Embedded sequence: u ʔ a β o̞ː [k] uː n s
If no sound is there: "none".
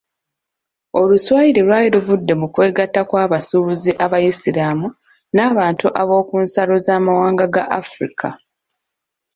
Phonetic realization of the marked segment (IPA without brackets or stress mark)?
k